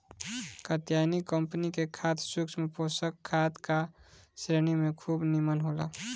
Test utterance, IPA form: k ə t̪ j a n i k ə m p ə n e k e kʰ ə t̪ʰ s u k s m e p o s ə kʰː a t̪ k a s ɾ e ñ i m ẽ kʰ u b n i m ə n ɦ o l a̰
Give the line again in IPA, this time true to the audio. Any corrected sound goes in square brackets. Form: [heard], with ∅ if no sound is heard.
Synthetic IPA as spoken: k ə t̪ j a n i k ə m p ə n [i] k e kʰ [a] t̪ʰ s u k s m e p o s ə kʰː a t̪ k a s ɾ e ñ i m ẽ kʰ u b n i m ə n ɦ o l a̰